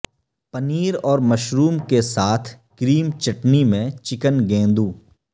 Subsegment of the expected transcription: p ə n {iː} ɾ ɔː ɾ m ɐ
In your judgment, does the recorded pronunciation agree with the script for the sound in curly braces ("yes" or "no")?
yes